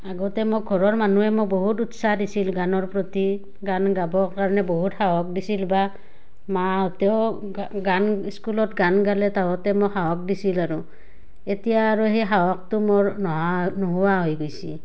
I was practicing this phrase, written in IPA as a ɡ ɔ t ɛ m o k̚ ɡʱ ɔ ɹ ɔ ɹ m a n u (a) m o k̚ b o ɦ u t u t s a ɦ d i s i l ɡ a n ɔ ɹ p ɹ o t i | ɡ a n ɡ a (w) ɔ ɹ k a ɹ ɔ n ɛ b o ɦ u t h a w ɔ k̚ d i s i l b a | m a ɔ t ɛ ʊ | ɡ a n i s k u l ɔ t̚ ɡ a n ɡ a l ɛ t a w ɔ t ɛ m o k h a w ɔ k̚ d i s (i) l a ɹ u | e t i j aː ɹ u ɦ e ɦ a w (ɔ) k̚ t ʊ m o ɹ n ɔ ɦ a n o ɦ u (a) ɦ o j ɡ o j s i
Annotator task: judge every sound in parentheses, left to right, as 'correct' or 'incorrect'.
incorrect: ɛ, incorrect: b, correct, correct, correct

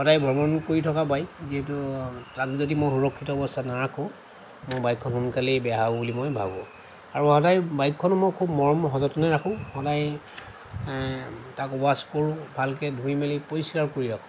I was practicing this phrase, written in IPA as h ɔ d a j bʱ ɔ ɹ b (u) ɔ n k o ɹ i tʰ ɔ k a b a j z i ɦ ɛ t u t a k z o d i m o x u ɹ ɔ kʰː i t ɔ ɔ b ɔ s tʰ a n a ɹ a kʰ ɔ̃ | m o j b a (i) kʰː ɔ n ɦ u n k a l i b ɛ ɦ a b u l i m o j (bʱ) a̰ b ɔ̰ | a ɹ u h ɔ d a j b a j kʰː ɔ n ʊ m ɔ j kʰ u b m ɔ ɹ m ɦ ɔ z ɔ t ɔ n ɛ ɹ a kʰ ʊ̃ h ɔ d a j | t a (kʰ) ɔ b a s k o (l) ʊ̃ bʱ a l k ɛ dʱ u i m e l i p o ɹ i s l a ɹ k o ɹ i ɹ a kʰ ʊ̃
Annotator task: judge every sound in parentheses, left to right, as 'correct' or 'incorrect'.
incorrect: ɔ, incorrect: j, correct, incorrect: k, incorrect: ɹ

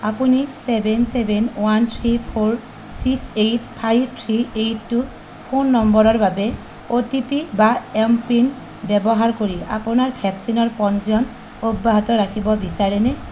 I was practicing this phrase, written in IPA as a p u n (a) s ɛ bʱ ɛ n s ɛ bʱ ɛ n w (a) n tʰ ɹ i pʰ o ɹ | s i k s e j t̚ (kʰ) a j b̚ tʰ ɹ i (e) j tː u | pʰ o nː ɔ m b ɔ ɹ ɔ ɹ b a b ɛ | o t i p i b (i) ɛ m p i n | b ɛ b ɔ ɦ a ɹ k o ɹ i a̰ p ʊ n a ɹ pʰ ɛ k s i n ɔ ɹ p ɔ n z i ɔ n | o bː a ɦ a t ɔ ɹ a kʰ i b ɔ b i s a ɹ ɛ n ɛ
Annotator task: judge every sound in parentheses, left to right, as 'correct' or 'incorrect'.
incorrect: i, correct, incorrect: pʰ, correct, incorrect: a

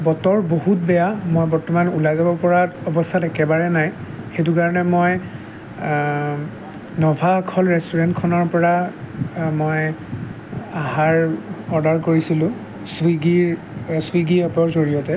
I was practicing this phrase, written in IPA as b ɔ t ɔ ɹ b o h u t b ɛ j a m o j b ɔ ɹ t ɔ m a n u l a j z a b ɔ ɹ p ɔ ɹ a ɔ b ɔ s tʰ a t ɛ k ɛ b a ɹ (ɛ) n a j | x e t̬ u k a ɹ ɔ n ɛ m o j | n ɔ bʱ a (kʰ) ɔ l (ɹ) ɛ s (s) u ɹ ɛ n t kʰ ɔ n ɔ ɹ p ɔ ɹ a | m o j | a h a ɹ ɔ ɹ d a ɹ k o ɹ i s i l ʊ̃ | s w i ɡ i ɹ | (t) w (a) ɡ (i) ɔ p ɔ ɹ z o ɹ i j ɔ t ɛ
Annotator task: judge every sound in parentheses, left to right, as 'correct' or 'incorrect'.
correct, correct, correct, incorrect: t, incorrect: s, incorrect: i, correct

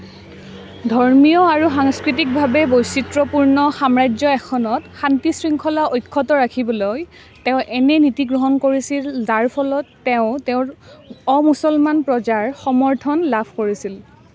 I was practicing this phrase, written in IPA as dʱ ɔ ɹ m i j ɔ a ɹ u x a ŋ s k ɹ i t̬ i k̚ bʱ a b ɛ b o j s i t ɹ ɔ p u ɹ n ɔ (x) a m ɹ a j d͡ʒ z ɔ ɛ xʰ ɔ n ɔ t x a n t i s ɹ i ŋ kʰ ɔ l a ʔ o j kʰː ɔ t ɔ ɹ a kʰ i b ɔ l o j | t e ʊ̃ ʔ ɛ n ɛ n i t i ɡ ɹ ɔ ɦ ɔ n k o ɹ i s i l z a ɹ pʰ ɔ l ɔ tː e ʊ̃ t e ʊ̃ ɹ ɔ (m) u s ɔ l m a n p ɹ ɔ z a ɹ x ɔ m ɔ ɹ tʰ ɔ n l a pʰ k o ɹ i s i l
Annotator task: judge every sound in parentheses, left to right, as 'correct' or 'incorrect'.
correct, correct

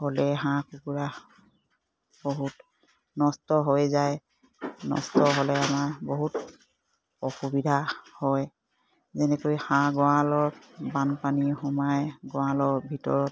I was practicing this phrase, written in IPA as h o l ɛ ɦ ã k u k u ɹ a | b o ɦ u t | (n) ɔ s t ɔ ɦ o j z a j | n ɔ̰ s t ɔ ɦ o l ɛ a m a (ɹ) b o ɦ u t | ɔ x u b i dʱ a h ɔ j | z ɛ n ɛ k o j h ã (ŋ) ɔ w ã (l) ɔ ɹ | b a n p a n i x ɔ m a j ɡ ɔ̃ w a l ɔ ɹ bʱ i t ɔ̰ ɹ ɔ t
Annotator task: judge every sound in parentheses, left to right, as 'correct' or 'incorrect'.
correct, correct, incorrect: ɡ, correct

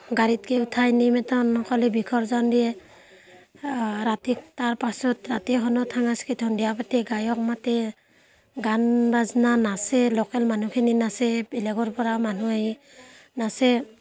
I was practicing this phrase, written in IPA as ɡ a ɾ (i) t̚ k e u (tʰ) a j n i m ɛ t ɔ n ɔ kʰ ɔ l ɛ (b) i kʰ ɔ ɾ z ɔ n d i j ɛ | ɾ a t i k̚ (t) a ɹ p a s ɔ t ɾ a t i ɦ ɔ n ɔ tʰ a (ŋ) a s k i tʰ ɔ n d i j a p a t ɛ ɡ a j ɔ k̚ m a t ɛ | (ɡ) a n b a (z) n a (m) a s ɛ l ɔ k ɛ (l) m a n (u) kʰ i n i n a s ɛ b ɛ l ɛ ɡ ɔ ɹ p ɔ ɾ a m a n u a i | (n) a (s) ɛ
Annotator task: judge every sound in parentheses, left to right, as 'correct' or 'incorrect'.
correct, correct, correct, correct, correct, correct, correct, incorrect: n, correct, correct, correct, correct

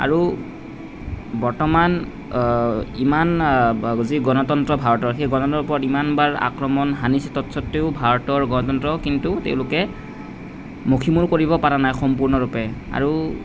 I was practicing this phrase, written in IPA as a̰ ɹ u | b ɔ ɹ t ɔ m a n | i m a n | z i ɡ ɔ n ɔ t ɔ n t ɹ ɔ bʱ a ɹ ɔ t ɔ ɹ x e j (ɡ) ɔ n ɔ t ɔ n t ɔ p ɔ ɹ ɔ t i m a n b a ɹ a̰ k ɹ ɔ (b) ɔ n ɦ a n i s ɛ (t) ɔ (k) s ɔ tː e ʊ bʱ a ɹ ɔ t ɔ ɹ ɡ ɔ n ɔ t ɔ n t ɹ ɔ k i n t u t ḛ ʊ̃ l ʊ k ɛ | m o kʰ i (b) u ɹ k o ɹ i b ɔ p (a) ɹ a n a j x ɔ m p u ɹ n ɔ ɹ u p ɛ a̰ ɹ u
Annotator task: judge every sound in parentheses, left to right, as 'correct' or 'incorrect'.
correct, incorrect: m, correct, incorrect: t, incorrect: m, correct

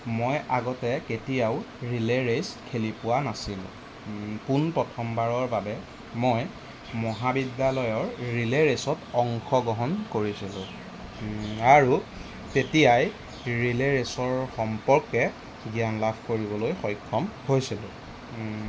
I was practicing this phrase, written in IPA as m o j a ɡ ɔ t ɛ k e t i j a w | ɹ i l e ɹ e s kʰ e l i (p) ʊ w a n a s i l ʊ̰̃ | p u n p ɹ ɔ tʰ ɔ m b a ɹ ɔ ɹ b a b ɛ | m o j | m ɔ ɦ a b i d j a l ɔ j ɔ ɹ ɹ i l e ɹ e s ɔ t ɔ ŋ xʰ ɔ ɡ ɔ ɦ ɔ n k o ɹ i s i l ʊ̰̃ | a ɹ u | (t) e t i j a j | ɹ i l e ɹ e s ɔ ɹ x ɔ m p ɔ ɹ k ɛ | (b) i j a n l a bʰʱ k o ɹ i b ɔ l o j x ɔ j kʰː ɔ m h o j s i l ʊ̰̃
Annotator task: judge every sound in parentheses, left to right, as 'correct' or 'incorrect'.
correct, correct, incorrect: ɡ

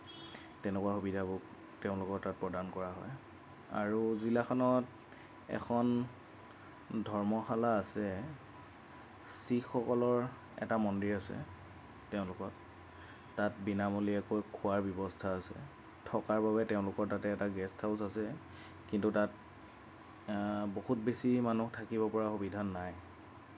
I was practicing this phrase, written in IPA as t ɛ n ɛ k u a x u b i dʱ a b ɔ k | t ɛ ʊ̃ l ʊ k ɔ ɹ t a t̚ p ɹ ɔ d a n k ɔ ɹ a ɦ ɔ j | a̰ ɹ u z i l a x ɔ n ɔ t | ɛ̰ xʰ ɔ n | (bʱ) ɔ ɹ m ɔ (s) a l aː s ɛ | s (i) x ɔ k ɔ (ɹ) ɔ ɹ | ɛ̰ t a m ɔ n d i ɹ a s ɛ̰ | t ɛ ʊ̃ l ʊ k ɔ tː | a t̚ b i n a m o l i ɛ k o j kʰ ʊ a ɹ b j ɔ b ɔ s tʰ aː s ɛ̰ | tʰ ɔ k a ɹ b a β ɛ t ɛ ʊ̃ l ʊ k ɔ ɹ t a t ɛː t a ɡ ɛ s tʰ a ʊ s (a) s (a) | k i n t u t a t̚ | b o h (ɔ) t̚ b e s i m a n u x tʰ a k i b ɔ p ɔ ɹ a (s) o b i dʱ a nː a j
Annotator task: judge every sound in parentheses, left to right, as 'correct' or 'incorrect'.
incorrect: dʱ, incorrect: x, correct, incorrect: l, correct, incorrect: ɛ, incorrect: u, incorrect: x

